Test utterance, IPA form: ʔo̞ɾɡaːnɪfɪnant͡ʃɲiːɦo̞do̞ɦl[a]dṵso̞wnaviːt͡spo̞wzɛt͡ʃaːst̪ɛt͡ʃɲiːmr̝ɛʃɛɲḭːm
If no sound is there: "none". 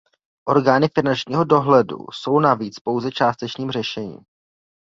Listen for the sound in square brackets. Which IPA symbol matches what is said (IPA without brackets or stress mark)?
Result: ɛ